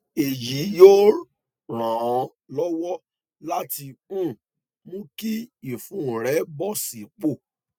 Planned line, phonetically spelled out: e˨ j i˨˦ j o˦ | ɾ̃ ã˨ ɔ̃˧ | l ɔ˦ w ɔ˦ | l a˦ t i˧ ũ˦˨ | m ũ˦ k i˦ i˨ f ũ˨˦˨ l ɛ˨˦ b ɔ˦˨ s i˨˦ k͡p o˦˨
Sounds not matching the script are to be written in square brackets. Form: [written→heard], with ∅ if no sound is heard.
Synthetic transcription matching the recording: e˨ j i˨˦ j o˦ | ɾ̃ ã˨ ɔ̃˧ | l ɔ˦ w ɔ˦ | l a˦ t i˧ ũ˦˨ | m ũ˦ k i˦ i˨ f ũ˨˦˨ [l→ɾ] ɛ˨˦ b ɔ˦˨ s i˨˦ k͡p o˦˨